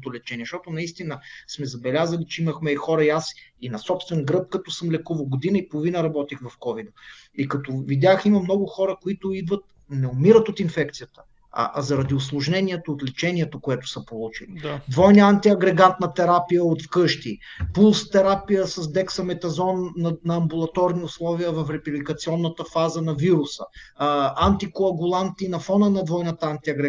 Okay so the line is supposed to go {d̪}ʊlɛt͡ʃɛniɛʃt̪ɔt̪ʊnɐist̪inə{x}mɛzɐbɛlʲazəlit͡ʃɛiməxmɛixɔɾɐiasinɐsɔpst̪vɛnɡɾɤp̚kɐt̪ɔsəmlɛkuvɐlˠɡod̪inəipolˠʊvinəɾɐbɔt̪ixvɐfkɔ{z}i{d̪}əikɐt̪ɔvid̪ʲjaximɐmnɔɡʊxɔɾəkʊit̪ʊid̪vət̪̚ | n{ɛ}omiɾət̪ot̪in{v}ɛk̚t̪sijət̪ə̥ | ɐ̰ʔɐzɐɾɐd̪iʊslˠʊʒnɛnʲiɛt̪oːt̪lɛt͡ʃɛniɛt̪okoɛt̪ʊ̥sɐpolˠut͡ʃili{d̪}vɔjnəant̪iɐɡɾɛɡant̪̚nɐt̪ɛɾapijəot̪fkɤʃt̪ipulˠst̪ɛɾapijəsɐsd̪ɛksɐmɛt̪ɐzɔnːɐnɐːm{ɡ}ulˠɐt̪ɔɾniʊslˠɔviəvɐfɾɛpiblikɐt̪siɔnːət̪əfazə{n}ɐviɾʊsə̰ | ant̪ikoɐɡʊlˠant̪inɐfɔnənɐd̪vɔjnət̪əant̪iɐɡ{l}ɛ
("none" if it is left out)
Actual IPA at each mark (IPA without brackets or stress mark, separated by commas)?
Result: t̪, s, v, d̪, ɛ, f, d̪, b, n, ɾ